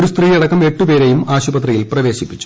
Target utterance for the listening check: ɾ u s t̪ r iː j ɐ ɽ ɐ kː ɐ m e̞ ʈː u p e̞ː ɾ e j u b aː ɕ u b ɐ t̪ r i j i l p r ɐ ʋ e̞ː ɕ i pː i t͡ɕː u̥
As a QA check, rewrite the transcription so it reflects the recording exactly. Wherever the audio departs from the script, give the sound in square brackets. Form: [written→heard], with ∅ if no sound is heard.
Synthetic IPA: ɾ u s t̪ r iː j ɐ ɽ ɐ kː ɐ m e̞ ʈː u p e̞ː ɾ e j u [b→m] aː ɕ u b ɐ t̪ r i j i l p r ɐ ʋ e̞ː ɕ i pː i t͡ɕː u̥

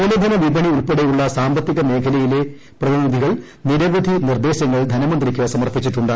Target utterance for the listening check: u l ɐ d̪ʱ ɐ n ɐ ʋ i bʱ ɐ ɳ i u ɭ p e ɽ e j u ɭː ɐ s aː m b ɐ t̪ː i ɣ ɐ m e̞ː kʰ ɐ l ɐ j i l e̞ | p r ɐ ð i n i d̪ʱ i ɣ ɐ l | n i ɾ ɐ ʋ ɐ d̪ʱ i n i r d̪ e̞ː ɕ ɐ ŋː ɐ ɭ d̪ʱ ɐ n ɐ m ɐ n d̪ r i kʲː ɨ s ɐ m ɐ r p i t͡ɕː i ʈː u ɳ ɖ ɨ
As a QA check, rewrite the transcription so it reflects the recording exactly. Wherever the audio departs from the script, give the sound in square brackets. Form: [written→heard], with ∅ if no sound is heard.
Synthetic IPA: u l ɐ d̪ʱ ɐ n ɐ ʋ i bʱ ɐ ɳ i u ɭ p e ɽ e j u ɭː ɐ s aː m b ɐ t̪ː i ɣ ɐ m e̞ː kʰ ɐ l ɐ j i l e̞ | p r ɐ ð i n i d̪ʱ i ɣ ɐ [l→ɭ] | n i ɾ ɐ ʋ ɐ d̪ʱ i n i r d̪ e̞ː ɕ ɐ ŋː ɐ ɭ d̪ʱ ɐ n ɐ m ɐ n d̪ r i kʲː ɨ s ɐ m ɐ r p i t͡ɕː i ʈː u ɳ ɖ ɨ

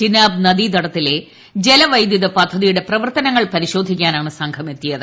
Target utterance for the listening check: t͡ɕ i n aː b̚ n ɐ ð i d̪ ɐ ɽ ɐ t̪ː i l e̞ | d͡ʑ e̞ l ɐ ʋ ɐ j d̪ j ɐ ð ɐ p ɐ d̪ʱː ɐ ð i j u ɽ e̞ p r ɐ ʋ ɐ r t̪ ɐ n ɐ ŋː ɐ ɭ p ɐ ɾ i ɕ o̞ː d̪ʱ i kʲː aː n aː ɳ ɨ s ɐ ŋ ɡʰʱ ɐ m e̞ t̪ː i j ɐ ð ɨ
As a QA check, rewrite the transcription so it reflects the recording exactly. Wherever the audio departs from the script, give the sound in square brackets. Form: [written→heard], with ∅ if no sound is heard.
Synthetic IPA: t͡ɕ i n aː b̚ n ɐ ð i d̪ ɐ ɽ ɐ t̪ː i l e̞ | d͡ʑ e̞ l ɐ ʋ ɐ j d̪ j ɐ ð ɐ p ɐ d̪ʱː ɐ ð i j u ɽ e̞ p r ɐ ʋ ɐ r t̪ ɐ n ɐ ŋː ɐ ɭ p ɐ ɾ i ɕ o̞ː d̪ʱ i kʲː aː n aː ɳ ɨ s ɐ ŋ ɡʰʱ ɐ m e̞ t̪ː i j ɐ ð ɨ

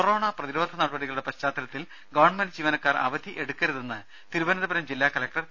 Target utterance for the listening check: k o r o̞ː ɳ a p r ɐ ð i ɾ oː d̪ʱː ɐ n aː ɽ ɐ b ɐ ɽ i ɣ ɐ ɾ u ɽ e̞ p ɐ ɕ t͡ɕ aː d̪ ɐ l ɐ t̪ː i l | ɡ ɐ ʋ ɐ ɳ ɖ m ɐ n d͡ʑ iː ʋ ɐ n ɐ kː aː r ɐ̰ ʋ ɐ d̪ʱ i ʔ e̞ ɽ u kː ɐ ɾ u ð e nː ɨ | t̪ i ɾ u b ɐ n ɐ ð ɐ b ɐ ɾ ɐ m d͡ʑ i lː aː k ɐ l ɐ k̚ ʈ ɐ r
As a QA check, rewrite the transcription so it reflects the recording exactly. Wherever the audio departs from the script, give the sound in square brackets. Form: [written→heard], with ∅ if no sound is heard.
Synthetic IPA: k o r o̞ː ɳ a p r ɐ ð i ɾ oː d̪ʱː ɐ n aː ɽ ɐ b ɐ ɽ i ɣ ɐ [ɾ→ɭ] u ɽ e̞ p ɐ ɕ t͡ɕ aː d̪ ɐ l ɐ t̪ː i l | ɡ ɐ ʋ ɐ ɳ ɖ m ɐ n d͡ʑ iː ʋ ɐ n ɐ kː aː r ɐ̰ ʋ ɐ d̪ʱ i ʔ e̞ ɽ u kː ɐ ɾ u ð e nː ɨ | t̪ i ɾ u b ɐ n ɐ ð ɐ b ɐ ɾ ɐ m d͡ʑ i lː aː k ɐ l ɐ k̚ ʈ ɐ r

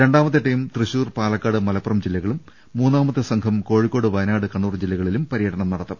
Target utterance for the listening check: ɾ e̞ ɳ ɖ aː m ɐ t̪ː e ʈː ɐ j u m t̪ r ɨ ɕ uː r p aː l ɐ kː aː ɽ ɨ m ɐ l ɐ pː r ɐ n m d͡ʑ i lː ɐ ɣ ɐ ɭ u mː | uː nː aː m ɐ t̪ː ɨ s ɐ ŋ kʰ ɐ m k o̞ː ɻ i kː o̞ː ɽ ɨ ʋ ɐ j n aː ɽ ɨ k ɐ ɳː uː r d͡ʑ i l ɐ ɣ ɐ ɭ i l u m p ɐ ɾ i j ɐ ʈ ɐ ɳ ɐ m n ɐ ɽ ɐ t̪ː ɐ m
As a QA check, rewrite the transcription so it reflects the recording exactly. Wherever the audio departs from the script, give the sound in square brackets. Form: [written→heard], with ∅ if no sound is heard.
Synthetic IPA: ɾ e̞ ɳ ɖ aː m ɐ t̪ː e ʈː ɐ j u m t̪ r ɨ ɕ uː r p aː l ɐ kː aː ɽ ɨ m ɐ l ɐ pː r ɐ [n→∅] m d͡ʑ i lː ɐ ɣ ɐ ɭ u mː | uː nː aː m ɐ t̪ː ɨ s ɐ ŋ kʰ ɐ m k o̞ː ɻ i kː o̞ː ɽ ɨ ʋ ɐ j n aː ɽ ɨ k ɐ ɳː uː r d͡ʑ i [l→lː] ɐ ɣ ɐ ɭ i l u m p ɐ ɾ i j ɐ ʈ ɐ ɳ ɐ m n ɐ ɽ ɐ t̪ː ɐ m

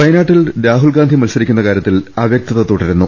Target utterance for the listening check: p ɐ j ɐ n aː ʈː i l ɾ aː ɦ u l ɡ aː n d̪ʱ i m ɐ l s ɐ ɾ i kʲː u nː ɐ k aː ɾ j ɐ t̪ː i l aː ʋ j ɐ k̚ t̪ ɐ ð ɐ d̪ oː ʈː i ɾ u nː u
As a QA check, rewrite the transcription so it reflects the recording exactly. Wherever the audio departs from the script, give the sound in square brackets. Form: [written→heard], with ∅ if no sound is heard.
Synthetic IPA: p ɐ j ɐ n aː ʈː i l ɾ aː ɦ u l ɡ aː n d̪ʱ i m ɐ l s ɐ ɾ i kʲː u nː ɐ k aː ɾ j ɐ t̪ː i l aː ʋ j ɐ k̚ t̪ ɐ ð ɐ [d̪→t̪] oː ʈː i ɾ u nː u

